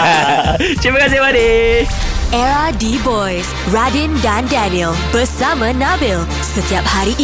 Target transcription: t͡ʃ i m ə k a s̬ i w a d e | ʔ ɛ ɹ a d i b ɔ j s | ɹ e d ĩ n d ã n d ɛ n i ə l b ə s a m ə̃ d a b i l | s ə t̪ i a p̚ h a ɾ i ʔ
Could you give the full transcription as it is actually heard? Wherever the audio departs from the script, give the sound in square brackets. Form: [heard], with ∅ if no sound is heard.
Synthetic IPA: t͡ʃ i m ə k a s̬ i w a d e | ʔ ɛ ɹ a d i b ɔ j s | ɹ [a] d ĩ n d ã n d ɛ n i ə l b ə s a m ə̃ [n] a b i l | s ə t̪ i a p̚ h a ɾ i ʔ